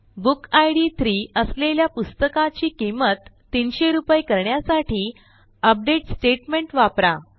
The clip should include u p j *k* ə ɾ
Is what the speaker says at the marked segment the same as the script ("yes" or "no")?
yes